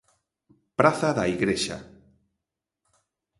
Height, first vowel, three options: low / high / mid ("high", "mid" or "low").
low